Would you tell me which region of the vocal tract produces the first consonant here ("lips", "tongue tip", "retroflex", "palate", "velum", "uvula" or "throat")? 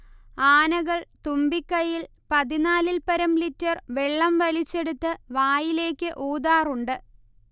tongue tip